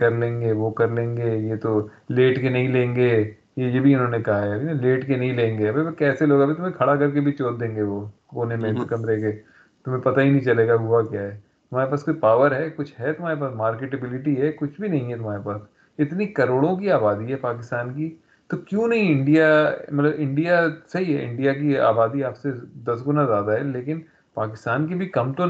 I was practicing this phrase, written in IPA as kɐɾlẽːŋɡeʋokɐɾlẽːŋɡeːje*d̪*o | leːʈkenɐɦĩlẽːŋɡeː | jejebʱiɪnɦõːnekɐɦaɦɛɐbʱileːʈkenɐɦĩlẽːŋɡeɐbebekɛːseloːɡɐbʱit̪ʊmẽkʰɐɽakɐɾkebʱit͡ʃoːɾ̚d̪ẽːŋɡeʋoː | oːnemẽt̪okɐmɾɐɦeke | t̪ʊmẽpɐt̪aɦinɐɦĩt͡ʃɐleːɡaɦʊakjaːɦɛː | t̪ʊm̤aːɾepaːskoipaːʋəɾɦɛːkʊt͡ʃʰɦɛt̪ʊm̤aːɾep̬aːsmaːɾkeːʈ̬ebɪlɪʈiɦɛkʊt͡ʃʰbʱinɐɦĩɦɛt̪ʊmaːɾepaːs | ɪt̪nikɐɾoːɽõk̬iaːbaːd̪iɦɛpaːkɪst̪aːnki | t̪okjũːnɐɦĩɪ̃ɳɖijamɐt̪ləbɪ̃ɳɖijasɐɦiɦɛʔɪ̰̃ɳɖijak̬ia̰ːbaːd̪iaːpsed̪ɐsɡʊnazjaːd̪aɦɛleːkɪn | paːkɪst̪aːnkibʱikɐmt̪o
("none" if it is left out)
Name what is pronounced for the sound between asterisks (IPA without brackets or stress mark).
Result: t̪